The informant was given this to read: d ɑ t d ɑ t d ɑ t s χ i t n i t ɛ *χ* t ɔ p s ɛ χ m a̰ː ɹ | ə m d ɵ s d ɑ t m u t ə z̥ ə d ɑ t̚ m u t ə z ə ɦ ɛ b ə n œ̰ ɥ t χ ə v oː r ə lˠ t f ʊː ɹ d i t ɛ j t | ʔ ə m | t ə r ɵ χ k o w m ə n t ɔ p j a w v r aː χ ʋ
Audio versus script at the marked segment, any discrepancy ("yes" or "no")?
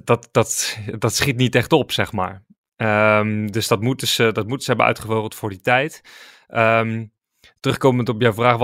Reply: no